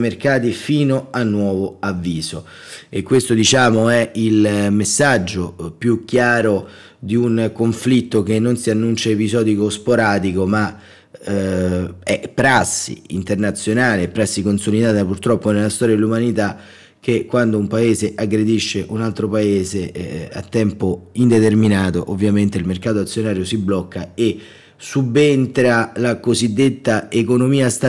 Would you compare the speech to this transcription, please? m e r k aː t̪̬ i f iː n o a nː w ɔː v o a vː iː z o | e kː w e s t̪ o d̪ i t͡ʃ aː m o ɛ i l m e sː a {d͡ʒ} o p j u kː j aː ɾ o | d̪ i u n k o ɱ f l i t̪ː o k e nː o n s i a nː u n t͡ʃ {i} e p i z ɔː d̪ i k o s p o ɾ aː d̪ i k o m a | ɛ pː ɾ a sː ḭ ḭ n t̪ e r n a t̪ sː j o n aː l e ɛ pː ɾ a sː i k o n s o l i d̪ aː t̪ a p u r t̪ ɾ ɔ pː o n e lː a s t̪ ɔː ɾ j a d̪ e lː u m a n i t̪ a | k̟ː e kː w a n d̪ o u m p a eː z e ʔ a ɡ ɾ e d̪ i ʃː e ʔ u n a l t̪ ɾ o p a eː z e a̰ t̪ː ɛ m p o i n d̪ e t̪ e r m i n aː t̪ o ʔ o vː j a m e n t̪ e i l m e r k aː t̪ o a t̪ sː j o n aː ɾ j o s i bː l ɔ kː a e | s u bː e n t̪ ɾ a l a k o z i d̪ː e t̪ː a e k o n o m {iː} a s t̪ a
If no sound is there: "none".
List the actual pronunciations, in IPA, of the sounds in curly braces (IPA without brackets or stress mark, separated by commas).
d͡ʒː, a, iː